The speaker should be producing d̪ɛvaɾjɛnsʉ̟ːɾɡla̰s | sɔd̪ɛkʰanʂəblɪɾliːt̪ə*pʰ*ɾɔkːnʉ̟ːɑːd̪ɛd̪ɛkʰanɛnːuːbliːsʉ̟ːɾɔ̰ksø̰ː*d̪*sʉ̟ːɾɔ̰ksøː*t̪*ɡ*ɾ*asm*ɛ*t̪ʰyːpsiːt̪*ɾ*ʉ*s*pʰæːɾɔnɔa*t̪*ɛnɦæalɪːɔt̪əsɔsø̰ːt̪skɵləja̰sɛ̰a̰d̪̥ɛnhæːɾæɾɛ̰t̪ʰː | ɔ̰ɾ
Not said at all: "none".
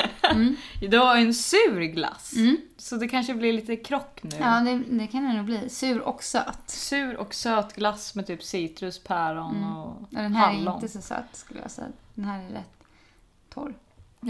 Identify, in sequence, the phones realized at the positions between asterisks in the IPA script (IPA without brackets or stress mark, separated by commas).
kʰ, t̪, t̪, l, ɛ, ɾ, s, d̪